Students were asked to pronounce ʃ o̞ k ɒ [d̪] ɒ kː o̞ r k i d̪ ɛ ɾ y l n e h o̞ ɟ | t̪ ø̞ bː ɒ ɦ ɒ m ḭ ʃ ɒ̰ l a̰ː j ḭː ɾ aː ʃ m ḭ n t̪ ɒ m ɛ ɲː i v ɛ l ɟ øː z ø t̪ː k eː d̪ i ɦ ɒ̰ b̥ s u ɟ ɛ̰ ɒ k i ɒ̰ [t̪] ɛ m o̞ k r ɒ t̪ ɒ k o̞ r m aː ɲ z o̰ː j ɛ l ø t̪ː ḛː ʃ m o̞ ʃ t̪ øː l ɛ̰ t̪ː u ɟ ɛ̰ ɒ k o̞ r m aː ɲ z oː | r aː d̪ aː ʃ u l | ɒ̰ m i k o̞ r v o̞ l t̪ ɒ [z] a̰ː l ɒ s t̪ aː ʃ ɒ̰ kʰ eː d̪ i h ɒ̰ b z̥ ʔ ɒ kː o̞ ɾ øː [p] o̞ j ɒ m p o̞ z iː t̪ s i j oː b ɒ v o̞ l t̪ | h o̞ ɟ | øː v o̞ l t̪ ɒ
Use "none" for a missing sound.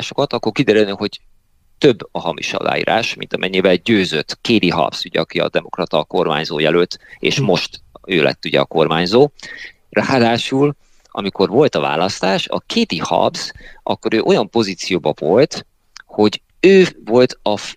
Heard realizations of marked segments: t̪, d̪, v, ʔ

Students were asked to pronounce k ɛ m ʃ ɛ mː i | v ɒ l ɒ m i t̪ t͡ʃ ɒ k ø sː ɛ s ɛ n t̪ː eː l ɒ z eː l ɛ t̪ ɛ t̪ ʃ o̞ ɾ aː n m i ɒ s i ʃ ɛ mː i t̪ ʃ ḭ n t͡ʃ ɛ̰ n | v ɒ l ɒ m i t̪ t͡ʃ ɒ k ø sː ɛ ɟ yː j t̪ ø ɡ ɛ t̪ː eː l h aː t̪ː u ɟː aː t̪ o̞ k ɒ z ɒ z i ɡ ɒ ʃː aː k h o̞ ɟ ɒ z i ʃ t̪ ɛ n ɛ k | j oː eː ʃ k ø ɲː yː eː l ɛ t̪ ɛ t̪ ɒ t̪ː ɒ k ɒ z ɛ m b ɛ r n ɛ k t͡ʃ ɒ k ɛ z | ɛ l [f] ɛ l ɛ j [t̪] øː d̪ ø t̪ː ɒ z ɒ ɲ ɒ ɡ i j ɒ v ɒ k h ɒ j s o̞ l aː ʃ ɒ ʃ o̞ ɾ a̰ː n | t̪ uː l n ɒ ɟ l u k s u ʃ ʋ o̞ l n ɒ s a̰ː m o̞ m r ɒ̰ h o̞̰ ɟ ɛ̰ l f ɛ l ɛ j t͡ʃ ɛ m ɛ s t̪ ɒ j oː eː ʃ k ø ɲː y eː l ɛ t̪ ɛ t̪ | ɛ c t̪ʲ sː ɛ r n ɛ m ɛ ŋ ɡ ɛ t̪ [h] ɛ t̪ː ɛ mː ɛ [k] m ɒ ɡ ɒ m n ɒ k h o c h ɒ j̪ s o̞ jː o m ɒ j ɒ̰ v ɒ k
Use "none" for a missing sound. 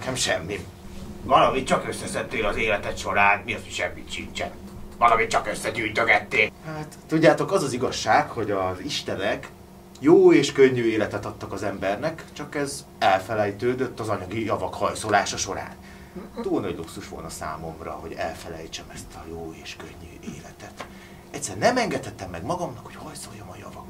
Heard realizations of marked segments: f, t̪, h, ɡ

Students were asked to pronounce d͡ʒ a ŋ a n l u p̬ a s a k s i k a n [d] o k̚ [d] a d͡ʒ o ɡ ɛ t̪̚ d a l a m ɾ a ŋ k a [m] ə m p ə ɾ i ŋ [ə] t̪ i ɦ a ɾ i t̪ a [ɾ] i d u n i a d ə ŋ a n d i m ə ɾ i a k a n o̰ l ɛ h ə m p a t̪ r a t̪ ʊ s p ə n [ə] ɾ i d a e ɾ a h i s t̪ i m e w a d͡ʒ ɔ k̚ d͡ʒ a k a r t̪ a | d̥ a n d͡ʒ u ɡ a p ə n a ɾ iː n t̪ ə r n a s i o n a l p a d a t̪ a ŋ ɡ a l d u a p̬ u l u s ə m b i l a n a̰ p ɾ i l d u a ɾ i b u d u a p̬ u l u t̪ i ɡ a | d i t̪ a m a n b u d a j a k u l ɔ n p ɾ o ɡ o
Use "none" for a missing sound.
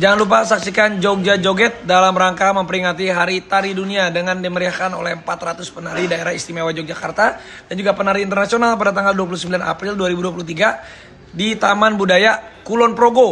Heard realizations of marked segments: d͡ʒ, d͡ʒ, m, a, ɾ, a

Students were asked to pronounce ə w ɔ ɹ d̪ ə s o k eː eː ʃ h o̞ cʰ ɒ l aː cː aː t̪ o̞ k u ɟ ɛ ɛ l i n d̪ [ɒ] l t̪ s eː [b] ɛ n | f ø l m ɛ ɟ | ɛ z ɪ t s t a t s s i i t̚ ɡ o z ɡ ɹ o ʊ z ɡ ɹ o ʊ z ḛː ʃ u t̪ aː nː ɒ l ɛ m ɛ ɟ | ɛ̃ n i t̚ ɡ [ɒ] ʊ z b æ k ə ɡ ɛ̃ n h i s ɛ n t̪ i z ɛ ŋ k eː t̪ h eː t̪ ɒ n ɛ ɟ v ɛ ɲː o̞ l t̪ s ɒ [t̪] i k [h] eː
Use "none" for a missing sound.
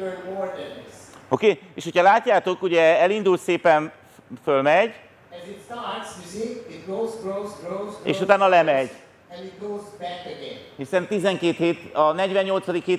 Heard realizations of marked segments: u, p, o, d̪, h

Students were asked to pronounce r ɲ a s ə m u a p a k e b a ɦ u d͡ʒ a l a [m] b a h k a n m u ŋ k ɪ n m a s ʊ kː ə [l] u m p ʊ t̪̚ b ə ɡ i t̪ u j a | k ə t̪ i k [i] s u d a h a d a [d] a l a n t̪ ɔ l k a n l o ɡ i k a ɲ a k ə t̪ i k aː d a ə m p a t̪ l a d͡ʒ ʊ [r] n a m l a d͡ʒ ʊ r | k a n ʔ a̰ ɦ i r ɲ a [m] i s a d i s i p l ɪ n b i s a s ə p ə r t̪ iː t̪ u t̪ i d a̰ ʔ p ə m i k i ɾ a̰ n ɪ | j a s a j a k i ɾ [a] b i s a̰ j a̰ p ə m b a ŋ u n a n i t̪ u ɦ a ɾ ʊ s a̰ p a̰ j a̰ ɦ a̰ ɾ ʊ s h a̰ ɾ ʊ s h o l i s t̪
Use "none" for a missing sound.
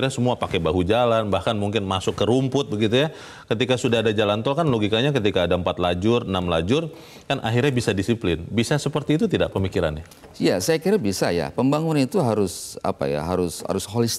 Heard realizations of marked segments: n, ɾ, a, d͡ʒ, r, b, a

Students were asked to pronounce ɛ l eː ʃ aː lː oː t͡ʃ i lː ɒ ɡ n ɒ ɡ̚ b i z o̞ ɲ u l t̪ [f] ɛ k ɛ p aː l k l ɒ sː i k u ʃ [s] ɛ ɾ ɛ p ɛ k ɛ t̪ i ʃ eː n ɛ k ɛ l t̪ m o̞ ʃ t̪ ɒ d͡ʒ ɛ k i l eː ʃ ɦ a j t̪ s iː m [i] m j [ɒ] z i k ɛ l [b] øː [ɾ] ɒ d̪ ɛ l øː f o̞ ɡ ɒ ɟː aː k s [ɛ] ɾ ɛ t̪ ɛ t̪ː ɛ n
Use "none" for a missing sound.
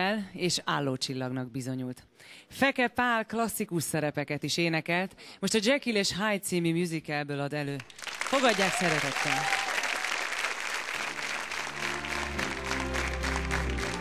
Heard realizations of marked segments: f, s, i, u, b, l, ɛ

